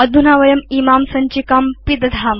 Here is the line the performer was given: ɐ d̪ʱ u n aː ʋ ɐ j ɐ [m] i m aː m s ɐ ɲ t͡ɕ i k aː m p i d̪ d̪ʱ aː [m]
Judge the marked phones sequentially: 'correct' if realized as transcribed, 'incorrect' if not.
correct, correct

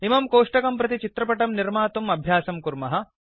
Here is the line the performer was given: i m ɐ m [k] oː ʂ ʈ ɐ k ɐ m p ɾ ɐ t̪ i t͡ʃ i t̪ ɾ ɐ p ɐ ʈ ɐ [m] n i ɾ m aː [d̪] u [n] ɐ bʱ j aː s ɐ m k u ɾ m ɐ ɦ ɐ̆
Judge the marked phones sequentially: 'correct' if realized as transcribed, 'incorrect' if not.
correct, correct, incorrect, incorrect

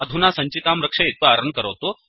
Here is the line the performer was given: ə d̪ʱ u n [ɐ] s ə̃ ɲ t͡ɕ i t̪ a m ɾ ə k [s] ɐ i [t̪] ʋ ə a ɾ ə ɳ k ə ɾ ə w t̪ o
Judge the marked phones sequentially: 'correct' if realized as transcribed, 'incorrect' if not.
incorrect, incorrect, correct

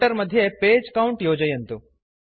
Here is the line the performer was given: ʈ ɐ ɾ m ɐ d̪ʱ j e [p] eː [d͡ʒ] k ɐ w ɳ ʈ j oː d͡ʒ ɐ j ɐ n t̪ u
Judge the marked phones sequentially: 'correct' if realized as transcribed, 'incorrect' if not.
correct, correct

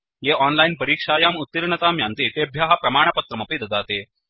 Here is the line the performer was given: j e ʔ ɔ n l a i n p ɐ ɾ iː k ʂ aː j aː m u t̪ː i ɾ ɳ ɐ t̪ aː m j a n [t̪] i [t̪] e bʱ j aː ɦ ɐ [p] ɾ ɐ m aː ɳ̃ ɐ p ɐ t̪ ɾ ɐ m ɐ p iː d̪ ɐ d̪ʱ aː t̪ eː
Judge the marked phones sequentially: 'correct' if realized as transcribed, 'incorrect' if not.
correct, correct, correct

